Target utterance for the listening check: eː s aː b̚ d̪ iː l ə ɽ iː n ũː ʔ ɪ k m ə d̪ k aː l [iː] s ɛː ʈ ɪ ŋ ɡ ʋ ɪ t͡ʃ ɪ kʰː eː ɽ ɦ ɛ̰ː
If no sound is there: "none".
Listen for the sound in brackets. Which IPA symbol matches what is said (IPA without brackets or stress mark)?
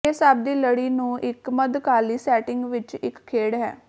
iː